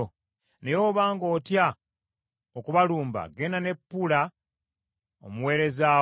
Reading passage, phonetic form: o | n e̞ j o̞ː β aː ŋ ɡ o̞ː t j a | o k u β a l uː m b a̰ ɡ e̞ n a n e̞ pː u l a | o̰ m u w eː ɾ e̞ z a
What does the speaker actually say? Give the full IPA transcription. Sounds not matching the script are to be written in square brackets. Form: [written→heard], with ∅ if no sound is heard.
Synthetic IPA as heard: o | n e̞ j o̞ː β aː ŋ ɡ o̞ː t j a | o k u β a l uː m b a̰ ɡ e̞ n a n e̞ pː u l a | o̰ m u w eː ɾ e̞ z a